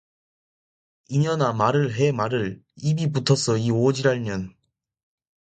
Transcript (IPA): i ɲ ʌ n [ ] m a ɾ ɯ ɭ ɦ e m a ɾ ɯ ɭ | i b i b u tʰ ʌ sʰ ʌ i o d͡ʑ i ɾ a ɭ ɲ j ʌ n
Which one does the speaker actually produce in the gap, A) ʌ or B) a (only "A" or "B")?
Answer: B